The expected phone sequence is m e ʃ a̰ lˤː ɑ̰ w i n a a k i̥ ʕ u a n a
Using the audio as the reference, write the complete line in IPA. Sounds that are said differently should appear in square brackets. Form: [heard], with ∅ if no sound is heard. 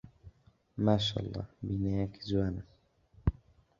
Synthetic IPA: m [a] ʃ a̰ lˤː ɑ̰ [b] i n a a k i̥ [z] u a n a